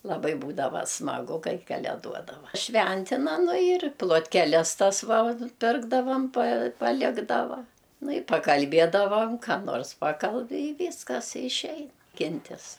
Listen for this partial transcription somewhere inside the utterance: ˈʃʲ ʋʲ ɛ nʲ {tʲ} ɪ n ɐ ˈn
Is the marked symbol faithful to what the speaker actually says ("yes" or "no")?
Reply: yes